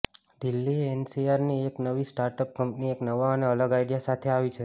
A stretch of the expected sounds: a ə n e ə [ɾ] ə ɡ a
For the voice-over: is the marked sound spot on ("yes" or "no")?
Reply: no